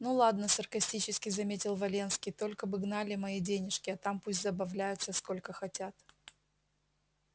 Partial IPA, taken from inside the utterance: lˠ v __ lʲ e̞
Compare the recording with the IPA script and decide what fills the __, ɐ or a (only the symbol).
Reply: ɐ